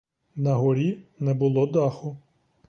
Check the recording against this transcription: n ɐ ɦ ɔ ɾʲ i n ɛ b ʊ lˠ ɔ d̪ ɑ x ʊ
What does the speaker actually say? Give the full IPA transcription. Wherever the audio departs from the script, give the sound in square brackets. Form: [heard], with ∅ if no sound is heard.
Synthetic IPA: n ɐ ɦ ɔ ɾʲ i n ɛ b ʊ lˠ ɔ d̪ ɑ x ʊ